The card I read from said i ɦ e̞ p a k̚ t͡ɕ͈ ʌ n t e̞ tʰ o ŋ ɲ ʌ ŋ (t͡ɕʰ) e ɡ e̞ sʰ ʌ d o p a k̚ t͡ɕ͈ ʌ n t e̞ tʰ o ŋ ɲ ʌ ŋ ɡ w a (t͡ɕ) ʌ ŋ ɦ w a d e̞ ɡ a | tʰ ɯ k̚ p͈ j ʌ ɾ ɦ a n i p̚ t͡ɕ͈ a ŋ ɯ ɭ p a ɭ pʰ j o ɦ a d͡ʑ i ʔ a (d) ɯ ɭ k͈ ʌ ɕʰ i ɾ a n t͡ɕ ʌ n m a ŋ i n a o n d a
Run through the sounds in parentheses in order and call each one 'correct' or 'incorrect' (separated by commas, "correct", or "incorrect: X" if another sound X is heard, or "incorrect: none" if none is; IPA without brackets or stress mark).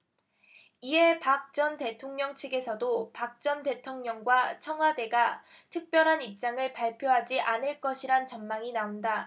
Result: correct, incorrect: t͡ɕʰ, incorrect: n